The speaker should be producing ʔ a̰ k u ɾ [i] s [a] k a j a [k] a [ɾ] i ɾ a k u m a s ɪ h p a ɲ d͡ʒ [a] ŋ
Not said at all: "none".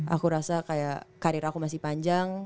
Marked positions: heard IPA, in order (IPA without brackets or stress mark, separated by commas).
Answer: a, a, k, ɾ, a